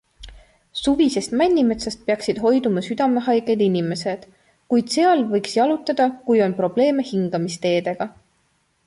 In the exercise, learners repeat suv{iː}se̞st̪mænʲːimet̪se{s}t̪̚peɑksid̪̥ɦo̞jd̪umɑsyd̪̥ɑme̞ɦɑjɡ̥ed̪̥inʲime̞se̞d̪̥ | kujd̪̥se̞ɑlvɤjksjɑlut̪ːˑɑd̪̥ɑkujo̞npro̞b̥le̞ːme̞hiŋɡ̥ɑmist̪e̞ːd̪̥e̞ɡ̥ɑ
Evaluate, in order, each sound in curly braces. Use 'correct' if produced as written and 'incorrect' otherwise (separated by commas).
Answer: incorrect, correct